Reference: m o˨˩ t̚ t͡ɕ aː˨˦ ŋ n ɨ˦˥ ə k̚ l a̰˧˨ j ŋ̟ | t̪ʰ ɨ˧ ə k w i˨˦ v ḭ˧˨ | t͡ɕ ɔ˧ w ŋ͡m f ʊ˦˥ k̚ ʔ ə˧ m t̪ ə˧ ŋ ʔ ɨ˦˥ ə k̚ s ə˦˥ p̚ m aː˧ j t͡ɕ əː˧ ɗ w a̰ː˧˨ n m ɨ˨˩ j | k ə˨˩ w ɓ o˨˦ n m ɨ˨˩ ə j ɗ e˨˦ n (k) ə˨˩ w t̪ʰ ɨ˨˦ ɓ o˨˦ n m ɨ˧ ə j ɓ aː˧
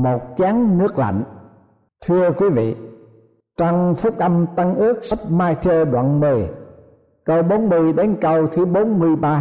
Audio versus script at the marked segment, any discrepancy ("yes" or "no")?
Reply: no